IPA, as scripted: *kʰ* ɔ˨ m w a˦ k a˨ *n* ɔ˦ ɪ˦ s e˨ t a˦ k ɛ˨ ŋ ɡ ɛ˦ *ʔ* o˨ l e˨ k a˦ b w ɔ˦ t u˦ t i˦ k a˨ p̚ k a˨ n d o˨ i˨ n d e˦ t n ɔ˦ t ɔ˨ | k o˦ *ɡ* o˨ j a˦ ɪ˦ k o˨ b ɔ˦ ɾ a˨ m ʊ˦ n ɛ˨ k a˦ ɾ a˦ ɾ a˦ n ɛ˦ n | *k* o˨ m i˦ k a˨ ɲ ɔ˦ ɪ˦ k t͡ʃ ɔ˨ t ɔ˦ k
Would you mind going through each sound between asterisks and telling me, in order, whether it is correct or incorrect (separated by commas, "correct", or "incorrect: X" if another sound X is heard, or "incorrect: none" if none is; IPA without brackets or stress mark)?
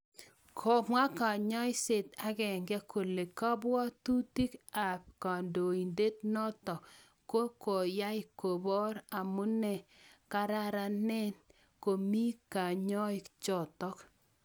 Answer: correct, incorrect: ɲ, incorrect: k, incorrect: k, correct